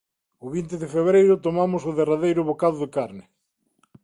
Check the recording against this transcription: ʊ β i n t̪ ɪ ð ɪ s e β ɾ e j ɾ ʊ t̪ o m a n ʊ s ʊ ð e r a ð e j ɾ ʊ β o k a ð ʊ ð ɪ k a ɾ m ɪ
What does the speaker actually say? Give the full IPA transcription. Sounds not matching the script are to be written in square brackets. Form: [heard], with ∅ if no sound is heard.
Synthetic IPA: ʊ β i n t̪ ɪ ð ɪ [f] e β ɾ e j ɾ ʊ t̪ o m a [m] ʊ s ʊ ð e r a ð e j ɾ ʊ β o k a ð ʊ ð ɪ k a ɾ [n] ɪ